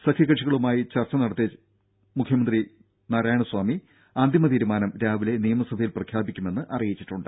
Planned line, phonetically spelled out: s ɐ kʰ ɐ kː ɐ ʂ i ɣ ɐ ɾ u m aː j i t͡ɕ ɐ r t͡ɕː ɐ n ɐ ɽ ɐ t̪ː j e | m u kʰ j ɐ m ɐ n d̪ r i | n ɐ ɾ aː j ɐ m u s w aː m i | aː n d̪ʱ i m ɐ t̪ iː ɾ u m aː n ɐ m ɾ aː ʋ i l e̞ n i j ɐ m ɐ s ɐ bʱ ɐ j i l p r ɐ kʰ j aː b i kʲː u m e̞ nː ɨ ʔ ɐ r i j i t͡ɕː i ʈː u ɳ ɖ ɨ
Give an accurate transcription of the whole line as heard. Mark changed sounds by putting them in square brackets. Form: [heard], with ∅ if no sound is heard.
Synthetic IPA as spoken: s ɐ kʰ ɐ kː ɐ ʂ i ɣ ɐ [ɭ] u m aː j i t͡ɕ ɐ r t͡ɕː ɐ n ɐ ɽ ɐ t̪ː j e | m u kʰ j ɐ m ɐ n d̪ r i | n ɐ ɾ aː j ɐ [ɳ] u s w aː m i | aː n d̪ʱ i m ɐ t̪ iː ɾ u m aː n ɐ m ɾ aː ʋ i l e̞ n i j ɐ m ɐ s ɐ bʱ ɐ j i l p r ɐ kʰ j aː b i kʲː u m e̞ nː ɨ ʔ ɐ r i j i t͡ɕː i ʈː u ɳ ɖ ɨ

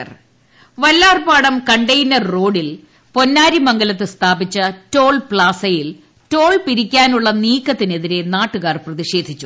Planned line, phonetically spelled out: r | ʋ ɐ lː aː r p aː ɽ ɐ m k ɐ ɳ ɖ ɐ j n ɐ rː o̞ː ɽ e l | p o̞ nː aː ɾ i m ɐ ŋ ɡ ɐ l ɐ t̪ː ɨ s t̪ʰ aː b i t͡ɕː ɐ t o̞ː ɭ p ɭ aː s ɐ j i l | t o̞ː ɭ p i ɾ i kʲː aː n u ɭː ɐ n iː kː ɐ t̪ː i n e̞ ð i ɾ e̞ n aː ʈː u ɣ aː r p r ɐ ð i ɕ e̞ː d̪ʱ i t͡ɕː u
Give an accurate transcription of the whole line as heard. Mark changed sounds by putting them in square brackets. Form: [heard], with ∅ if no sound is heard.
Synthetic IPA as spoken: r | ʋ ɐ lː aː r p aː ɽ ɐ m k ɐ ɳ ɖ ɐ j n ɐ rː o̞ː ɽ [i] l | p o̞ nː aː ɾ i m ɐ ŋ ɡ ɐ l ɐ t̪ː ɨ s t̪ʰ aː b i t͡ɕː ɐ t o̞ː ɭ p ɭ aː s ɐ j i l | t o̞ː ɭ p i ɾ i kʲː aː n u ɭː ɐ n iː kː ɐ t̪ː i n e̞ ð i ɾ e̞ n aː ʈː u ɣ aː r p r ɐ ð i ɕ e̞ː d̪ʱ i t͡ɕː u

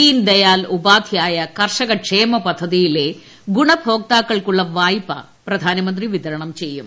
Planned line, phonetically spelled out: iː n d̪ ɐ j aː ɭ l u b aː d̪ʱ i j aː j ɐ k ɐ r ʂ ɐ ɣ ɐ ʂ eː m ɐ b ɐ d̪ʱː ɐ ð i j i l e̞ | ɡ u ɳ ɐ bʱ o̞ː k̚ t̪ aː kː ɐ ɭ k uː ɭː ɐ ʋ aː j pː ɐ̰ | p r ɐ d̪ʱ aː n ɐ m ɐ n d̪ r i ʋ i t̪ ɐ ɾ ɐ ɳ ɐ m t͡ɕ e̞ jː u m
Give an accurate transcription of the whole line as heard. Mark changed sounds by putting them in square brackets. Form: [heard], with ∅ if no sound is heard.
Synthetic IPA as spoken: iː n d̪ ɐ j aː [∅] l u b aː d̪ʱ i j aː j ɐ k ɐ r ʂ ɐ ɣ ɐ ʂ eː m ɐ [p] ɐ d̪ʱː ɐ ð i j i l e̞ | ɡ u ɳ ɐ bʱ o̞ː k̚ t̪ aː kː ɐ ɭ k [u] ɭː ɐ ʋ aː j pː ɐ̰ | p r ɐ d̪ʱ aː n ɐ m ɐ n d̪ r i ʋ i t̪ ɐ ɾ ɐ ɳ ɐ m t͡ɕ e̞ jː u m

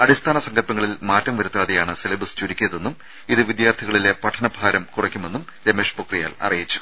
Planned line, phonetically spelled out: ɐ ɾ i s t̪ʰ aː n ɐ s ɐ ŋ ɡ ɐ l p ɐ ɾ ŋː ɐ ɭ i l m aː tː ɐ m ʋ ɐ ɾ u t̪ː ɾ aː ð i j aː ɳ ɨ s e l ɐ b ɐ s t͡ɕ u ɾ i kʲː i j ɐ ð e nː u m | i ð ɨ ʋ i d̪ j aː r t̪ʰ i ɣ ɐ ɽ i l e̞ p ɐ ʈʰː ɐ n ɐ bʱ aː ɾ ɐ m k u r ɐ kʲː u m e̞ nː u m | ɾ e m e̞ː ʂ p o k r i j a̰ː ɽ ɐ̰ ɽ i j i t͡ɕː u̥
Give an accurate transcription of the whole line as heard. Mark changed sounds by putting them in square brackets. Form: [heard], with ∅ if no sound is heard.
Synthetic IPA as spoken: ɐ [ɽ] i s t̪ʰ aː n ɐ s ɐ ŋ ɡ ɐ l p ɐ [∅] ŋː ɐ ɭ i l m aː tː ɐ m ʋ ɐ ɾ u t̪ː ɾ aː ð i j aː ɳ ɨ s e l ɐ b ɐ s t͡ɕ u ɾ i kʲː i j ɐ ð e nː u m | i ð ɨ ʋ i d̪ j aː r t̪ʰ i ɣ ɐ [ɭ] i l e̞ p ɐ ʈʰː ɐ n ɐ bʱ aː ɾ ɐ m k u r ɐ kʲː u m e̞ nː u m | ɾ e m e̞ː ʂ p o k r i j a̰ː [l] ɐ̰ [r] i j i t͡ɕː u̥

